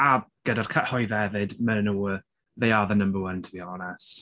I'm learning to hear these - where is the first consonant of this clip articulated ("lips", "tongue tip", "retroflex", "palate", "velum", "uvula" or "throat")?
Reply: velum